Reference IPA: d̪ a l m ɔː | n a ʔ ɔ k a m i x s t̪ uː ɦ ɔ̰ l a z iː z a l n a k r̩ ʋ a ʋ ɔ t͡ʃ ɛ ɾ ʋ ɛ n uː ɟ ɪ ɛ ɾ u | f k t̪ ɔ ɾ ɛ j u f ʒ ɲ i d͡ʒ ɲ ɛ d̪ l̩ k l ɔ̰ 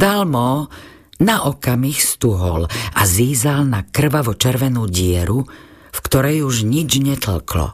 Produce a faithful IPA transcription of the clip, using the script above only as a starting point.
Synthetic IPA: d̪ a l m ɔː | n a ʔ ɔ k a m i x s t̪ u ɦ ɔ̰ l a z iː z a l n a k r̩ ʋ a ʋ ɔ t͡ʃ ɛ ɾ ʋ ɛ n uː ɟ ɪ ɛ ɾ u | f k t̪ ɔ ɾ ɛ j u ʒ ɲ i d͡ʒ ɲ ɛ t̪ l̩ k l ɔ̰